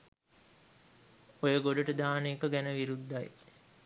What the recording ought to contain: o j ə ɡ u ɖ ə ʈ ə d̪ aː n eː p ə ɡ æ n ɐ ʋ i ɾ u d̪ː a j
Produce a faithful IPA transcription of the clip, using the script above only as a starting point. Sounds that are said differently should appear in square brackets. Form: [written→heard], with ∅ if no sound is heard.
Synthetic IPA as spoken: o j ə ɡ [u→o] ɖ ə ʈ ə d̪ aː n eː [p→k] ə ɡ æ n [ɐ→ə] ʋ i ɾ u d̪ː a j